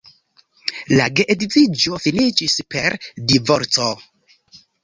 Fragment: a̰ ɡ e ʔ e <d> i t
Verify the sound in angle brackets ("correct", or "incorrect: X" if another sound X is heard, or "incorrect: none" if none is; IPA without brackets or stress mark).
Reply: correct